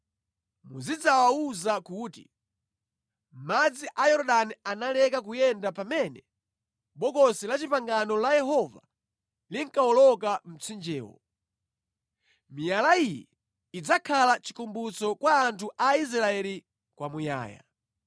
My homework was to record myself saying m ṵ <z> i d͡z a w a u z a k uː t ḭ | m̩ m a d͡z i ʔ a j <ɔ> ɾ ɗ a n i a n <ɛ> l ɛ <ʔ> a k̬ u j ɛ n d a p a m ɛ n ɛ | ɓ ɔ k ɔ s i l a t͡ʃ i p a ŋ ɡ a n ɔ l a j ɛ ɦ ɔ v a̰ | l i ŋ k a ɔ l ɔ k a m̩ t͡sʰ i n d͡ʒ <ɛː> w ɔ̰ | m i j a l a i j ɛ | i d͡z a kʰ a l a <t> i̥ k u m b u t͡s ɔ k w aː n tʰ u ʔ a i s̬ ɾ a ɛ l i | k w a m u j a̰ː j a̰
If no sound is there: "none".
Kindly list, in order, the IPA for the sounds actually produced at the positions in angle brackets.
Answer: z, ɔ, a, k, ɛː, t͡ʃ

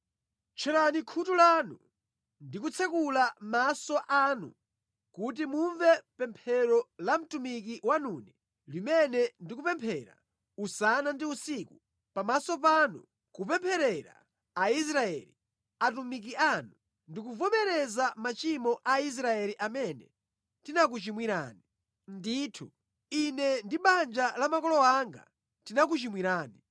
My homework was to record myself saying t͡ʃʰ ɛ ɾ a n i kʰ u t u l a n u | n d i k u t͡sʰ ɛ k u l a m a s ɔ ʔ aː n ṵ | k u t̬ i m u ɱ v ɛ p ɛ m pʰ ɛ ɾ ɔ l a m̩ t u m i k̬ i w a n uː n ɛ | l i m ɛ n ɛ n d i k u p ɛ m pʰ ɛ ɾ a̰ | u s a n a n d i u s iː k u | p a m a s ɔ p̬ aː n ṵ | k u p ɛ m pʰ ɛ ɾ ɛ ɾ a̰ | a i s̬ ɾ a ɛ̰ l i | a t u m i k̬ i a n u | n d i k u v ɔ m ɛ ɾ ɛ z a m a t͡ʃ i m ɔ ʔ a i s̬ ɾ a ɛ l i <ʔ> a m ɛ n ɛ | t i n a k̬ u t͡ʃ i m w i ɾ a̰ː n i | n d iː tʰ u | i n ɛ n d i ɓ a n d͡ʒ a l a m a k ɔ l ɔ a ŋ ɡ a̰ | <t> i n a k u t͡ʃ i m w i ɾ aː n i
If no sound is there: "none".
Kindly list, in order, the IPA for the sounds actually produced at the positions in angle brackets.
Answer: ʔ, t

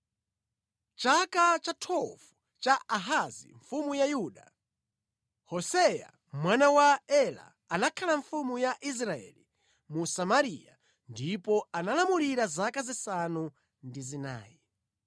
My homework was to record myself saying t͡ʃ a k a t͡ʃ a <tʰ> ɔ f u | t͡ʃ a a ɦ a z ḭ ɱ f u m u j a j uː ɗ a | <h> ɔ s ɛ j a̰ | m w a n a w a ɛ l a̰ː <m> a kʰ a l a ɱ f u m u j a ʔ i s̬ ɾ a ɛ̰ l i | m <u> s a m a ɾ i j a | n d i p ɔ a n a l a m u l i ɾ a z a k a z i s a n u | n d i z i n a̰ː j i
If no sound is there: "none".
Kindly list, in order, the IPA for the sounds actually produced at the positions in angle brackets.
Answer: tʰ, h, n, u

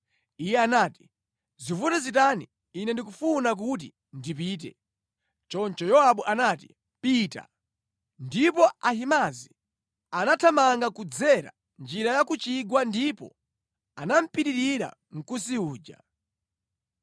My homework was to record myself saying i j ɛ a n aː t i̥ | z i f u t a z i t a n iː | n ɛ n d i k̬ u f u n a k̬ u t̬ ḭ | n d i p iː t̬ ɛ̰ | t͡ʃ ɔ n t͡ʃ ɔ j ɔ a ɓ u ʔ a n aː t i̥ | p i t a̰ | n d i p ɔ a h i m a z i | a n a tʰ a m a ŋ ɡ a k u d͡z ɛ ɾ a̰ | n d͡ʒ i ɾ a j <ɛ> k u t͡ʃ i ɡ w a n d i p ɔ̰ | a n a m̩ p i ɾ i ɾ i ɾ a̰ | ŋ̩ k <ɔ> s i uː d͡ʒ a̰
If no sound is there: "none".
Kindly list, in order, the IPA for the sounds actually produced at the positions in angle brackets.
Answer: a, u

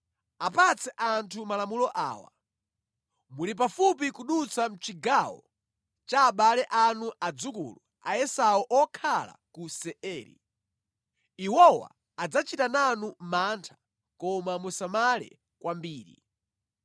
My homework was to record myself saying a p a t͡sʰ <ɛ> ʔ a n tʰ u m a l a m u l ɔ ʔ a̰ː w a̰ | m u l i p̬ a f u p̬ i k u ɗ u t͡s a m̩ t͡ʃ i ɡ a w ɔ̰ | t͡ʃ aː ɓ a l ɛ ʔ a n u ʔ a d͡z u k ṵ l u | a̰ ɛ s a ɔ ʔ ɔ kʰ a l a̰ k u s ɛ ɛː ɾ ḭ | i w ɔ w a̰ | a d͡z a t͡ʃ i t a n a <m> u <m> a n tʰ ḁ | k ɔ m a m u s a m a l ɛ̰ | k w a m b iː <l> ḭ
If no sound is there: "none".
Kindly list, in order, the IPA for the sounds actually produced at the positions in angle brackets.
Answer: ɛ, n, m, ɾ

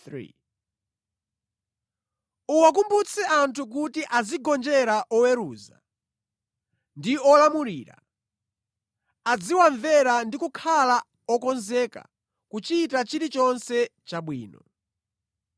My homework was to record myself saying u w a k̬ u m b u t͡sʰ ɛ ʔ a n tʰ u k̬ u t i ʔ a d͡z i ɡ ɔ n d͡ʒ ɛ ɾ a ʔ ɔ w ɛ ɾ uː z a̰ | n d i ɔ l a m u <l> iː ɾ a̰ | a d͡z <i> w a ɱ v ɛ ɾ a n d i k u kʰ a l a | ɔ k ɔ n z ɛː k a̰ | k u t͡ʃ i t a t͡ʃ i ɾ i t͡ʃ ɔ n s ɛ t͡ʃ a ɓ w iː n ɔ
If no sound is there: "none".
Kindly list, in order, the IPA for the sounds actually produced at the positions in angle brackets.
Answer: ɾ, i

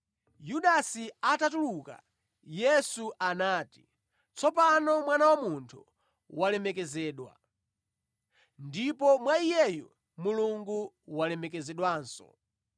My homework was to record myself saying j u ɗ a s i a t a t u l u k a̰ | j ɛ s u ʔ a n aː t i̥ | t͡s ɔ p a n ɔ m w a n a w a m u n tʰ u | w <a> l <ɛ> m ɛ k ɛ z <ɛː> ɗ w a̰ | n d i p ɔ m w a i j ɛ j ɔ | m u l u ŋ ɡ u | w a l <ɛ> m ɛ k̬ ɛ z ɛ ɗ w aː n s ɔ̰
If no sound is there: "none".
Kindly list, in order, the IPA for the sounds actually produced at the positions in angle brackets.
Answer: a, ɛ, ɛː, ɛ

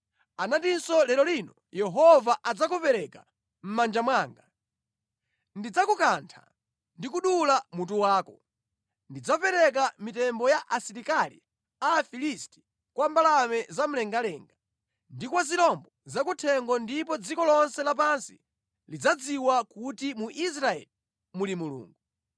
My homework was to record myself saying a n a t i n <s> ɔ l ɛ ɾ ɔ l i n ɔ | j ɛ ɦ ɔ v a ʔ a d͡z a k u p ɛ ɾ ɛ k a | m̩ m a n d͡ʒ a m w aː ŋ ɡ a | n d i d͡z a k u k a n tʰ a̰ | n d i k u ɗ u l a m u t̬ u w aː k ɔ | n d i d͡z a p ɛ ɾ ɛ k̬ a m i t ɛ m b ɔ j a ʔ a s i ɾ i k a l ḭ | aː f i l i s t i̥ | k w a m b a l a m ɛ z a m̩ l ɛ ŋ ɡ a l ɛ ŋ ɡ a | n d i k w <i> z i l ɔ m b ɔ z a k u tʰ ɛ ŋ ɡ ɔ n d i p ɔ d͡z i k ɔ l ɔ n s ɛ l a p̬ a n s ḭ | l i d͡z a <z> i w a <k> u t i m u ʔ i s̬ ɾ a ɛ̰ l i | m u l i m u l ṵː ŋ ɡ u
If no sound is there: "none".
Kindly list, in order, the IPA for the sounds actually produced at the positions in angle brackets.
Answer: s, a, d͡z, k

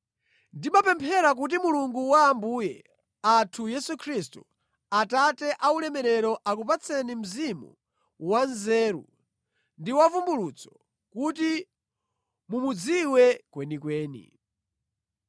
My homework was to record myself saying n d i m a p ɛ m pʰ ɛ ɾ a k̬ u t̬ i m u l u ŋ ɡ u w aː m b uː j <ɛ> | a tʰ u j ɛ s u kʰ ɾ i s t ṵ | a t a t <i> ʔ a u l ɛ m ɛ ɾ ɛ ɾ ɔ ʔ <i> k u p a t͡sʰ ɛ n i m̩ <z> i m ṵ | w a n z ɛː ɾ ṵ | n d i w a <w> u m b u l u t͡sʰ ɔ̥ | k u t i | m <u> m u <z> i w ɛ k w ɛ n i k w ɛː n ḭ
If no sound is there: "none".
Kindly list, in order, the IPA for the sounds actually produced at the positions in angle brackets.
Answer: ɛ, ɛ, a, z, v, u, d͡z

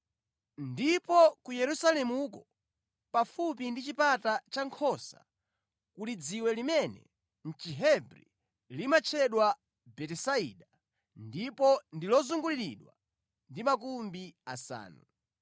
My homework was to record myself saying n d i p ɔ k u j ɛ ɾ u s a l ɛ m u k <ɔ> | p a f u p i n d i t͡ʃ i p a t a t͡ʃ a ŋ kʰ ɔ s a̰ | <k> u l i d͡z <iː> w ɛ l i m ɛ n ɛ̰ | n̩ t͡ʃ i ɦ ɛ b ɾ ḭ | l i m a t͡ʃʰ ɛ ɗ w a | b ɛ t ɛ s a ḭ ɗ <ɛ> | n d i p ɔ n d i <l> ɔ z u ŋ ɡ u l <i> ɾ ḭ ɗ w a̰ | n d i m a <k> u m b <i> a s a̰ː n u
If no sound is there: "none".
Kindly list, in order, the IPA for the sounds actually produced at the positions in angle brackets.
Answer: ɔ, k, i, a, l, i, k, i

